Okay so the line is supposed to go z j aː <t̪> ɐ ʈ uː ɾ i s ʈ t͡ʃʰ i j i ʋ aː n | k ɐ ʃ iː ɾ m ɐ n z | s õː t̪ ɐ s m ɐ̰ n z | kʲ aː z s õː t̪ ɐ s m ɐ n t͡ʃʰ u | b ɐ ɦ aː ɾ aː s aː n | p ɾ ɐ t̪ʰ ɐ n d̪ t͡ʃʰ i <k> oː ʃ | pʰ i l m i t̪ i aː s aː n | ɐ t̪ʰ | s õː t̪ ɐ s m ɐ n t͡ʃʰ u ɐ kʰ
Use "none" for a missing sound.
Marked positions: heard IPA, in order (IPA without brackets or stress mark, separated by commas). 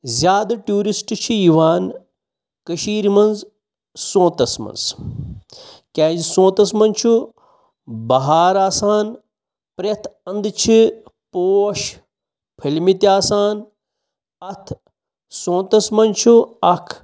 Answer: d̪, p